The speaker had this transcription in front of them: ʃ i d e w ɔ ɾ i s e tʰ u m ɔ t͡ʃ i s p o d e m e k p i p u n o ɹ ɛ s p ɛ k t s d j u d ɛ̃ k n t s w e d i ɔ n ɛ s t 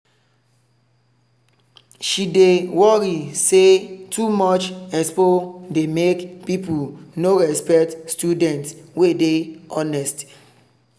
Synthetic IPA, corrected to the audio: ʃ i d e w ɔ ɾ i s e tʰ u m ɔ t͡ʃ ɛ s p o d e m e k p i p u n o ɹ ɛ s p ɛ k t s t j u d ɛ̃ n t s w e d e ɔ n ɛ s t